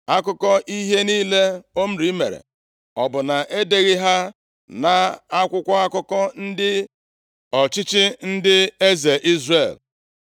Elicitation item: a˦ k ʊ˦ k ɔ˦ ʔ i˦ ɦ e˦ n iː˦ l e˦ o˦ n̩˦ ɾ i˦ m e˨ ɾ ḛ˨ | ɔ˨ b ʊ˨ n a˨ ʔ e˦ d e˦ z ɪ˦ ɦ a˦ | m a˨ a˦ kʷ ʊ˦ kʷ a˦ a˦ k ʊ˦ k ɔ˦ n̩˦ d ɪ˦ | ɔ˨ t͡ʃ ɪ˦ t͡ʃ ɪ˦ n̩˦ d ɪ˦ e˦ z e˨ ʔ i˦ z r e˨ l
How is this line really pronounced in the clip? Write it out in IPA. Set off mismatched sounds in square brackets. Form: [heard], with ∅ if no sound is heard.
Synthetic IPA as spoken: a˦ k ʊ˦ k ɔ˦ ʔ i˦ ɦ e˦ n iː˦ l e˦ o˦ [m̩˦] ɾ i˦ m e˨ ɾ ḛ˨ | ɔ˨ b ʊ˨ n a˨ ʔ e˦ d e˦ [ɣ] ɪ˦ ɦ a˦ | [n] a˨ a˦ kʷ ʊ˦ kʷ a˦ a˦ k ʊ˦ k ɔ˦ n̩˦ d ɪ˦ | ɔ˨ t͡ʃ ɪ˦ t͡ʃ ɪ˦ n̩˦ d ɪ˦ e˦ z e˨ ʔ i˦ z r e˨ l